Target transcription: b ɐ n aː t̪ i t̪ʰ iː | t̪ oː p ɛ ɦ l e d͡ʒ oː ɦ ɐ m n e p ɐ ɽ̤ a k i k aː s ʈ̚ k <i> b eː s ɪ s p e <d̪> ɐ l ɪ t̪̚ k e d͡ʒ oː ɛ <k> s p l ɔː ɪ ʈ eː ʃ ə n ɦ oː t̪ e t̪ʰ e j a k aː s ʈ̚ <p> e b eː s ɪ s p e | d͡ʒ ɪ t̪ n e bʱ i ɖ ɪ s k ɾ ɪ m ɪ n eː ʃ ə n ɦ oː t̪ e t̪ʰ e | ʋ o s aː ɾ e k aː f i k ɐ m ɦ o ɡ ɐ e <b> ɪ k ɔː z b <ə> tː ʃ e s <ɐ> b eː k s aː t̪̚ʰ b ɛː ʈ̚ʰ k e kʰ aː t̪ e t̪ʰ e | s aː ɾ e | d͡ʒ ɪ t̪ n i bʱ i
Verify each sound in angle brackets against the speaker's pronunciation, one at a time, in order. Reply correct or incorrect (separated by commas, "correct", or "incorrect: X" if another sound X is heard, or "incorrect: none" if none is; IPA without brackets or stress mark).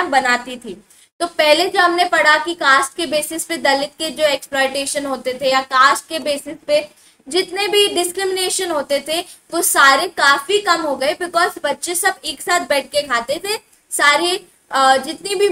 incorrect: e, correct, correct, incorrect: k, correct, incorrect: ɐ, correct